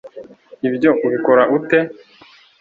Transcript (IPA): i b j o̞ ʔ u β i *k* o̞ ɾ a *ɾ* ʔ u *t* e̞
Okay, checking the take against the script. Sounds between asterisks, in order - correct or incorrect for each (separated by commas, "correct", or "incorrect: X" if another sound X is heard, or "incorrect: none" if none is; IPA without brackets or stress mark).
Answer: correct, incorrect: none, correct